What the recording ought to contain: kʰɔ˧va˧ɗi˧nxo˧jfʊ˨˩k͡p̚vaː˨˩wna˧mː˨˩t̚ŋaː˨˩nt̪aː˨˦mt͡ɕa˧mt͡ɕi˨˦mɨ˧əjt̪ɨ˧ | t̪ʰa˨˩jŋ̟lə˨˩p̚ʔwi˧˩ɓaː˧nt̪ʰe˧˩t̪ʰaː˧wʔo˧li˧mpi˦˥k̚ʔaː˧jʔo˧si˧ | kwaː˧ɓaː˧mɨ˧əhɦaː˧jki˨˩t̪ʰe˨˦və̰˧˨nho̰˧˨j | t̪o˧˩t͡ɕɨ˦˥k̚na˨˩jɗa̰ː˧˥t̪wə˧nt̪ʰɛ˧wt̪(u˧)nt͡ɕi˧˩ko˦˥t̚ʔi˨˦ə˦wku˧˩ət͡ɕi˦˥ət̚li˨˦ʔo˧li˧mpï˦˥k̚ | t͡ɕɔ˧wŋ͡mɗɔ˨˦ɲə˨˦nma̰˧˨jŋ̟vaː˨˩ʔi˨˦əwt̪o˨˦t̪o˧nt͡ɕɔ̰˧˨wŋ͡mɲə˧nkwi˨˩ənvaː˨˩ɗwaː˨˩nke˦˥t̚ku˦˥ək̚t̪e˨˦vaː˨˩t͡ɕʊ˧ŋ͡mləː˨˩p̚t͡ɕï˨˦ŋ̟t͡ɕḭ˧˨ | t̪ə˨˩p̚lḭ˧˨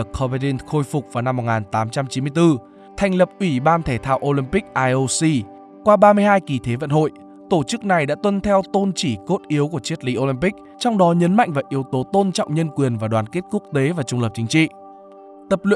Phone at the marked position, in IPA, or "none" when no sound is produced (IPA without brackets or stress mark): o˧